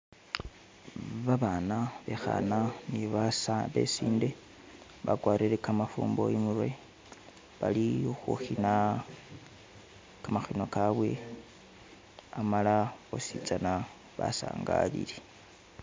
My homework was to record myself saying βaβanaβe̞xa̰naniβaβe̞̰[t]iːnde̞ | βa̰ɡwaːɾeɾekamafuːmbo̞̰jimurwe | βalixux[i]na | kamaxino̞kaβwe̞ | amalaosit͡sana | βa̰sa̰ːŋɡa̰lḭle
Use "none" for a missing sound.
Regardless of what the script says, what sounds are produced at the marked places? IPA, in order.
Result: s, i

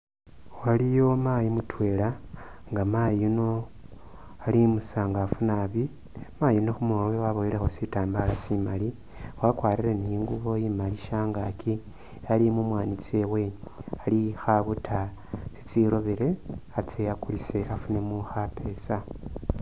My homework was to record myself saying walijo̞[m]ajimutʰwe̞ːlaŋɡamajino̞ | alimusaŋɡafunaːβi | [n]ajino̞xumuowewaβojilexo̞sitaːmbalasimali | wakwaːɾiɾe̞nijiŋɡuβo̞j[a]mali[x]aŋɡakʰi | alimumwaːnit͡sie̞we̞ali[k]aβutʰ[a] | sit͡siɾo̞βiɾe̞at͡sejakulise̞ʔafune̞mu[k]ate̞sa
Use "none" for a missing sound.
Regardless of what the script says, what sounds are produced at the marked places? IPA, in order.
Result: m, m, i, ʃ, x, a, x

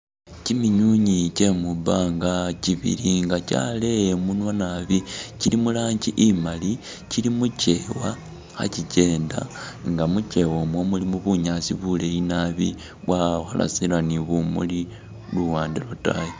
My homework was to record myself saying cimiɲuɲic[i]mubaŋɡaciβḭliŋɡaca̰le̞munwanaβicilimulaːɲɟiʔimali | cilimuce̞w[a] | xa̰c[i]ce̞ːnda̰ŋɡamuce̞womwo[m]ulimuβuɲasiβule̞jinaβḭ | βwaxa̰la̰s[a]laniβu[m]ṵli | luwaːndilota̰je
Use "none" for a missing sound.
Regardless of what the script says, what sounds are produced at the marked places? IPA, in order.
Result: e, a, i, m, i, m

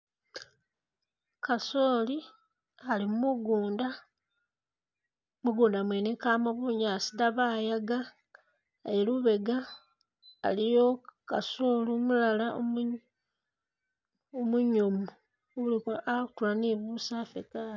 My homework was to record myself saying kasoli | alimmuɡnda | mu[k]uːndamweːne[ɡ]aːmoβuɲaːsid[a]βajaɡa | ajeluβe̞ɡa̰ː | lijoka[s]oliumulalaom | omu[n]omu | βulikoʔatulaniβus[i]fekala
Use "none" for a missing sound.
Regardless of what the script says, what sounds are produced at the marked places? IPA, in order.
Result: ɡ, k, a, s, ɲ, a

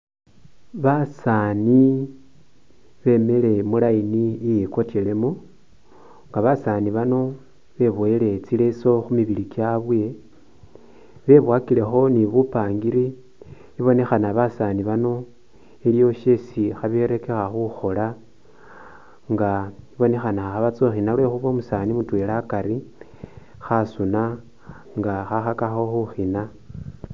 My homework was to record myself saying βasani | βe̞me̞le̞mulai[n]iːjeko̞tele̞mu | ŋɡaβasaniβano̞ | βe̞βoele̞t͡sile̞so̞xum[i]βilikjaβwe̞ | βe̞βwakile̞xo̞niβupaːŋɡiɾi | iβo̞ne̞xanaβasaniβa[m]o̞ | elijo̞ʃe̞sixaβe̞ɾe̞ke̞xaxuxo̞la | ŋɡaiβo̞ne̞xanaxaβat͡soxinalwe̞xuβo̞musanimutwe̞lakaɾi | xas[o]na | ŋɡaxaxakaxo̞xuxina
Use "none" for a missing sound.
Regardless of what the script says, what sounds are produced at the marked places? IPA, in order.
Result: n, i, n, u

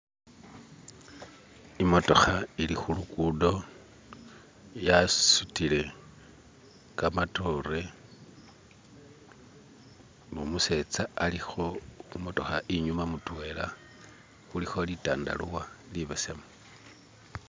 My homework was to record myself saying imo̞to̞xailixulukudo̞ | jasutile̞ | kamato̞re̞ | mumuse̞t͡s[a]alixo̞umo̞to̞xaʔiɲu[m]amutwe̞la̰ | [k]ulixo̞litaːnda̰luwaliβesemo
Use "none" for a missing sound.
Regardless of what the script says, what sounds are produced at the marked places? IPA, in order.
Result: a, m, x

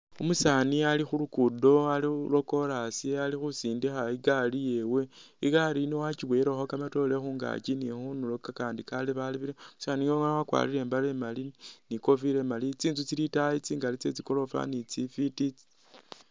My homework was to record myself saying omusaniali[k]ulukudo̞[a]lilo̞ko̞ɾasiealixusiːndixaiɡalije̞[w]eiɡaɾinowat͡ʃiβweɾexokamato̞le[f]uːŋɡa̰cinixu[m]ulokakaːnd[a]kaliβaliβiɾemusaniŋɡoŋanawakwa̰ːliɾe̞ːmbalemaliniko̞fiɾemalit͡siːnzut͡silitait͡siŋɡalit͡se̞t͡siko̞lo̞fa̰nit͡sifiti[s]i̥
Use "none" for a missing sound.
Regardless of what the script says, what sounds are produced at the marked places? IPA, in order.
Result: x, a, w, x, n, i, t͡s

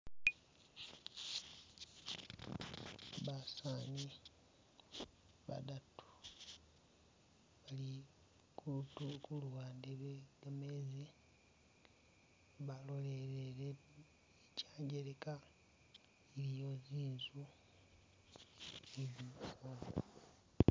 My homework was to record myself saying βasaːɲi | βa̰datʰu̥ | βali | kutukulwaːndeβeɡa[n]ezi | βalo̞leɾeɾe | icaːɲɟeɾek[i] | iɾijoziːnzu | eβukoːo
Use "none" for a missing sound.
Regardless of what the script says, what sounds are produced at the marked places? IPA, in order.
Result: m, a

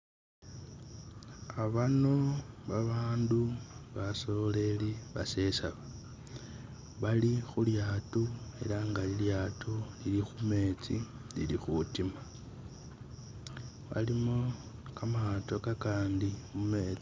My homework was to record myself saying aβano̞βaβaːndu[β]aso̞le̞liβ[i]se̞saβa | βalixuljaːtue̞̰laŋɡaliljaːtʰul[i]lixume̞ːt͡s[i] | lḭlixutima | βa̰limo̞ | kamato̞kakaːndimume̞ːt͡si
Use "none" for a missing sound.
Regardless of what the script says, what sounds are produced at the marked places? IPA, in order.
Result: β, a, i, i

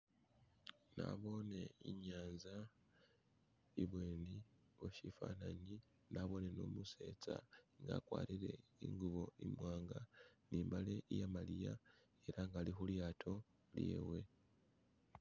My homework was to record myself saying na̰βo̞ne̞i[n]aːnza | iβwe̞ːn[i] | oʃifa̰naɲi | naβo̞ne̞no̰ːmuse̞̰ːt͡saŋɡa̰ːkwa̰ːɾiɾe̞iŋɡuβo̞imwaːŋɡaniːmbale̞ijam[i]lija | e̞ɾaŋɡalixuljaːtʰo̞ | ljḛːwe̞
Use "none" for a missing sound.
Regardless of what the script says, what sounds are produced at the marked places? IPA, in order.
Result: ɲ, i, a

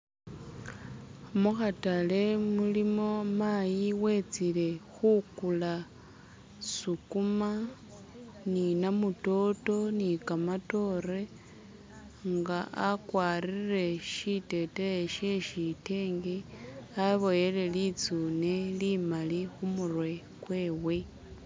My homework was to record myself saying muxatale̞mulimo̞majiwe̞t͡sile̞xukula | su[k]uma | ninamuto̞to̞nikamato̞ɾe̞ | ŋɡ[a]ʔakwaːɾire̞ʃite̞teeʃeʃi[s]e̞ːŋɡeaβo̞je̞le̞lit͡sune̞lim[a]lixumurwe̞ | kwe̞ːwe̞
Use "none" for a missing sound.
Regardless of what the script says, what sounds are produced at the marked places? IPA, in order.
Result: k, a, t, a

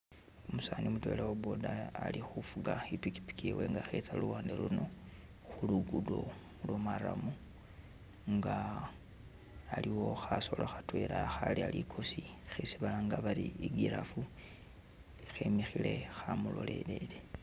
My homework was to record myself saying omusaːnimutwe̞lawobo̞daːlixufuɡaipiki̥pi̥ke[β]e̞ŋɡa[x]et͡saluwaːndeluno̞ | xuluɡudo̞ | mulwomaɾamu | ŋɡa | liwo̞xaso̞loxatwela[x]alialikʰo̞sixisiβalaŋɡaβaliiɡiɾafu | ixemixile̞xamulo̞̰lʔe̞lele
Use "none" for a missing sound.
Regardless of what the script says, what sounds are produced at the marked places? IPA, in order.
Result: w, x, x

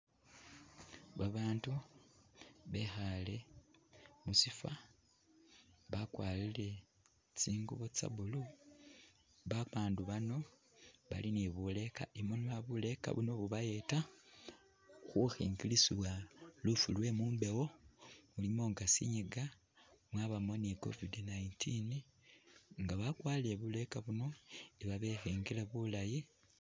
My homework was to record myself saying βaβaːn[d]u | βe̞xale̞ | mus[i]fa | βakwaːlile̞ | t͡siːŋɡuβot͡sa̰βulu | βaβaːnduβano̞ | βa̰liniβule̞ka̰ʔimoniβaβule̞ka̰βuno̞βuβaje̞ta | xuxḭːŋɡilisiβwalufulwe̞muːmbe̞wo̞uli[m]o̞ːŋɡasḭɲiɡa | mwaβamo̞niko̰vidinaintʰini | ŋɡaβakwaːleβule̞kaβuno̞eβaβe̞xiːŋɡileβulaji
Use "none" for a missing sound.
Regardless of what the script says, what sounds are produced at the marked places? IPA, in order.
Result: t, i, m

